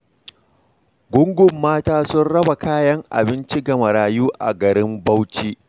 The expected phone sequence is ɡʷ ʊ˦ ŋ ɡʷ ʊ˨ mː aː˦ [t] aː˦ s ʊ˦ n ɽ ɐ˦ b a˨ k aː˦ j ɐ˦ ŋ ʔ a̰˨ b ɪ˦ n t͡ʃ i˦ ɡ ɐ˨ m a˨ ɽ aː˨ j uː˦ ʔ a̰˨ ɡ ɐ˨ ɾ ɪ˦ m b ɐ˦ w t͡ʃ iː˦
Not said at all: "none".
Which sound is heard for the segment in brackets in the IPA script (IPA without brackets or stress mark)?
t